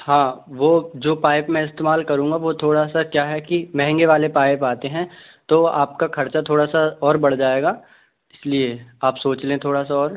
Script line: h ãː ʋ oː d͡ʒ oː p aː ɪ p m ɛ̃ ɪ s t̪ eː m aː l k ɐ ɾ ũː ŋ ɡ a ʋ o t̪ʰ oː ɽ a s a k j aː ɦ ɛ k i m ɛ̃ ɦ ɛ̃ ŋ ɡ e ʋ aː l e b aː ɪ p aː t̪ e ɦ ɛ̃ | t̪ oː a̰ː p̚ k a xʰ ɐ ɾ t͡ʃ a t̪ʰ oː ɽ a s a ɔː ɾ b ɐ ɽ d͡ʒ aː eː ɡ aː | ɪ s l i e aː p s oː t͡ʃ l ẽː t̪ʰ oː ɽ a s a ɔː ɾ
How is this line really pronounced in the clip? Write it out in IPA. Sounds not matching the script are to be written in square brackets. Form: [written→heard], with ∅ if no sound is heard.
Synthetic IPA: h ãː ʋ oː d͡ʒ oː p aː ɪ p m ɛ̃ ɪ s t̪ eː m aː l k ɐ ɾ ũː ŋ ɡ a ʋ o t̪ʰ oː ɽ a s a k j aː ɦ ɛ k i m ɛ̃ ɦ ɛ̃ ŋ ɡ e ʋ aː l e [b→p] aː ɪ p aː t̪ e ɦ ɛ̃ | t̪ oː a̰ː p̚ k a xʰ ɐ ɾ t͡ʃ a t̪ʰ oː ɽ a s a ɔː ɾ b ɐ ɽ d͡ʒ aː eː ɡ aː | ɪ s l i e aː p s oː t͡ʃ l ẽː t̪ʰ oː ɽ a s a ɔː ɾ